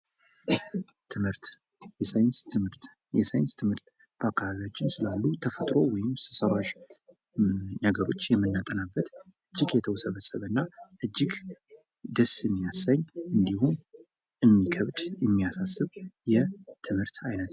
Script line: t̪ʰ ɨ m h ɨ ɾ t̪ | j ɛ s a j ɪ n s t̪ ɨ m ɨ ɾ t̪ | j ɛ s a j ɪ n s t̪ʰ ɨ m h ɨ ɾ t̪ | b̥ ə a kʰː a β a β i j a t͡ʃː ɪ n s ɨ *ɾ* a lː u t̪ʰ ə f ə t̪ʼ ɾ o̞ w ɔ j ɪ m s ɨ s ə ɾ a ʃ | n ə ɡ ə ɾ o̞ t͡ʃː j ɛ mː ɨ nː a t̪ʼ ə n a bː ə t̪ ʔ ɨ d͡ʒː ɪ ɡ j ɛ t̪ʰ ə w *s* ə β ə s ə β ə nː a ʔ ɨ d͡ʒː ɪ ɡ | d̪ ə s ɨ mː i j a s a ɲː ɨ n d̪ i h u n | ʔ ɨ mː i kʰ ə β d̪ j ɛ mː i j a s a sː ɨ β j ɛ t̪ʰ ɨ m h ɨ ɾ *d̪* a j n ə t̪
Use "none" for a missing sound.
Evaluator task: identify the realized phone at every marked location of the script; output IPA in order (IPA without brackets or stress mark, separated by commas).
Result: l, s, t̪